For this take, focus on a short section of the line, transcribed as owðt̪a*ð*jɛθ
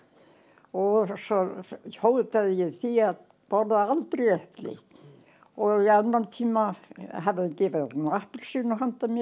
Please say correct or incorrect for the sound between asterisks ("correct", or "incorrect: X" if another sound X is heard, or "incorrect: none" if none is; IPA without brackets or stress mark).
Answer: correct